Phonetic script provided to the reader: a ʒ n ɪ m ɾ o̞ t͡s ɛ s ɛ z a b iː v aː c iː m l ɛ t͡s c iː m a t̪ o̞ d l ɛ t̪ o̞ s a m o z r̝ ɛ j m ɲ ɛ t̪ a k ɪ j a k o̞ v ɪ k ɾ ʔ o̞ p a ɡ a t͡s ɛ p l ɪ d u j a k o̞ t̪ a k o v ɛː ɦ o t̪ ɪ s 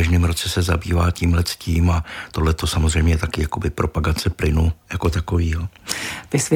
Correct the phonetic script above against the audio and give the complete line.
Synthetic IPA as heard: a ʒ n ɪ m ɾ o̞ t͡s ɛ s ɛ z a b iː v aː c iː m l ɛ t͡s c iː m a t̪ o̞ d l ɛ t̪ o̞ s a m o z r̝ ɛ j m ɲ ɛ t̪ a k ɪ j a k o̞ b ɪ p ɾ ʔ o̞ p a ɡ a t͡s ɛ p l ɪ n u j a k o̞ t̪ a k o v iː ɦ o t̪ ɪ s